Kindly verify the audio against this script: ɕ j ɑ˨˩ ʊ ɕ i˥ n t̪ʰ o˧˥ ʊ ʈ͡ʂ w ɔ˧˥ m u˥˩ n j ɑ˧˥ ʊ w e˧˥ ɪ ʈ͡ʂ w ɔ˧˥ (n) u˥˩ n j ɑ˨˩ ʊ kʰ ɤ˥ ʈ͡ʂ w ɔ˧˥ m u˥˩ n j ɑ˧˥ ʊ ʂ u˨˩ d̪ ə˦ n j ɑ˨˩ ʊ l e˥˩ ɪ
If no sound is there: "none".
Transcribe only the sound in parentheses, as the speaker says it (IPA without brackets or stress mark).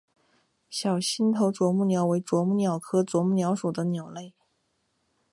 m